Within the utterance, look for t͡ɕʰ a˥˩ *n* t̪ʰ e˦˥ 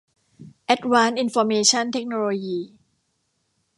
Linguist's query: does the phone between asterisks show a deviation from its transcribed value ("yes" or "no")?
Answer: no